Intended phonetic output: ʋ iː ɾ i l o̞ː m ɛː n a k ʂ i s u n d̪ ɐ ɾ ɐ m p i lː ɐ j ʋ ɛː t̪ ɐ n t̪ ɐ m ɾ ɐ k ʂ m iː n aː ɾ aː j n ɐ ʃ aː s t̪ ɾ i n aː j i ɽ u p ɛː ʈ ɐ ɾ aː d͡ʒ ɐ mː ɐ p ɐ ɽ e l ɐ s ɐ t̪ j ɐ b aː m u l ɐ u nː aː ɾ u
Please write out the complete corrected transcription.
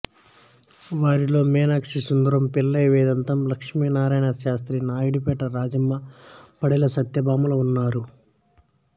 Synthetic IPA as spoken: ʋ aː ɾ i l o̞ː m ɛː n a k ʂ i s u n d̪ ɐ ɾ ɐ m p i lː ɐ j ʋ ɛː d̪ ɐ n t̪ ɐ m l ɐ k ʂ m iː n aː ɾ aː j n ɐ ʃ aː s t̪ ɾ i n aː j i ɽ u p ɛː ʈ ɐ ɾ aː d͡ʒ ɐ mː ɐ p ɐ ɽ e l ɐ s ɐ t̪ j ɐ b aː m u l ɐ u nː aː ɾ u